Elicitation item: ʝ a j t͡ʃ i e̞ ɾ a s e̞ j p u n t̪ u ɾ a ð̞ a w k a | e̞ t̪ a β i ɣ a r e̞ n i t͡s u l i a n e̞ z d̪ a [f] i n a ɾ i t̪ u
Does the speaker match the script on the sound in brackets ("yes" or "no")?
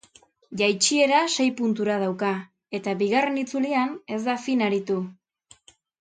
yes